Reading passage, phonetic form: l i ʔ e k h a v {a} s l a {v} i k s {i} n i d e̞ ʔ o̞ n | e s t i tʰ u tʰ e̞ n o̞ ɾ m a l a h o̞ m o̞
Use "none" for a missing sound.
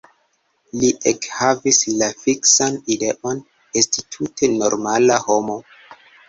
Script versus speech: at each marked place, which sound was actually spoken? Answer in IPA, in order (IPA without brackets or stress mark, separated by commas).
i, f, a